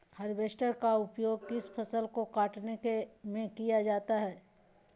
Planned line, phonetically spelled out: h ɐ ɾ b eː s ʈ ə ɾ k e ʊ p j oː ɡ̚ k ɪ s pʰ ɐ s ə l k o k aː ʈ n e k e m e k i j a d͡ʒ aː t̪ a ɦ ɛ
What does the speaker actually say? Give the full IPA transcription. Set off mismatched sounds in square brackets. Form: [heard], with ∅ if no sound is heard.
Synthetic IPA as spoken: h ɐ ɾ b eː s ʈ ə ɾ k [a] ʊ p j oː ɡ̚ k ɪ s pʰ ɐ s ə l k o k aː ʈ n e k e m [ẽ] k i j a d͡ʒ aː t̪ a ɦ [ɛː]